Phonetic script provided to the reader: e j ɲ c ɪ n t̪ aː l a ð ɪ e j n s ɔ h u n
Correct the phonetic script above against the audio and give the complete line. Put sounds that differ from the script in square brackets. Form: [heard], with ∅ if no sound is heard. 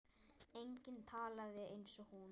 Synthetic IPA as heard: e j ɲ c ɪ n [t̪ʰ] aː l a ð ɪ e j n s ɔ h u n